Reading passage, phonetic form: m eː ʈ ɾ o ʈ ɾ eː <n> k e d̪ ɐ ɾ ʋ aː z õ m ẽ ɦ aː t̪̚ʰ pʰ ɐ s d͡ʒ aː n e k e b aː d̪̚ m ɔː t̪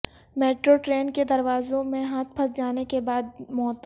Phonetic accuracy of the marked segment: correct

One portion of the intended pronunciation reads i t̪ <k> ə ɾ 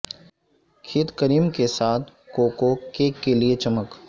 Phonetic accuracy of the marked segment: correct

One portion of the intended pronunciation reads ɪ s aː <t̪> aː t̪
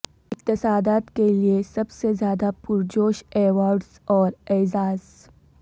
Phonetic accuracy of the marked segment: incorrect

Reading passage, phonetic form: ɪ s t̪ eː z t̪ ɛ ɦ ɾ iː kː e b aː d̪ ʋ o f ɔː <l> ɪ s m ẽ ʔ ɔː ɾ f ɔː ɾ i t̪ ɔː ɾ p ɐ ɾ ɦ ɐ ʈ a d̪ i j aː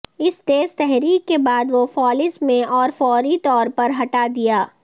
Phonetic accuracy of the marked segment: correct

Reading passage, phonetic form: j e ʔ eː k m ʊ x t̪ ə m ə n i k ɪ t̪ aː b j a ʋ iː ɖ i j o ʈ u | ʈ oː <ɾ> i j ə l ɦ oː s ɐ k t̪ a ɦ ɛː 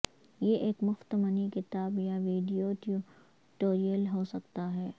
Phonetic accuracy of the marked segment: correct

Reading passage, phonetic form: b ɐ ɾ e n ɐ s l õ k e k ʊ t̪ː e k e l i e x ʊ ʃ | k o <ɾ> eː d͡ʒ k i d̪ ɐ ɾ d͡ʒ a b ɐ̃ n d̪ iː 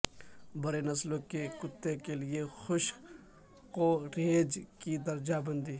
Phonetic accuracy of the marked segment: correct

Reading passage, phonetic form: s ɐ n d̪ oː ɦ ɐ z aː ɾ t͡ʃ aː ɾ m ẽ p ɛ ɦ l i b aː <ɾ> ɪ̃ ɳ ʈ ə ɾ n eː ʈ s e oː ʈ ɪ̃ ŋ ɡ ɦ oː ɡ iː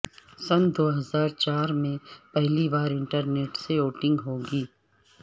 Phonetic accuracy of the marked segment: correct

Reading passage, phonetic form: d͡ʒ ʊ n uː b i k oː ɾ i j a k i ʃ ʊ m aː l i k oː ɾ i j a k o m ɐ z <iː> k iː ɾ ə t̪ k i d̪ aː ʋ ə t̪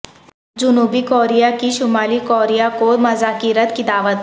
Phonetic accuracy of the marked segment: incorrect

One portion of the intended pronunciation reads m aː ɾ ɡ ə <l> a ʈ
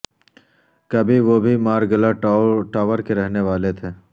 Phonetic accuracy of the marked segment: correct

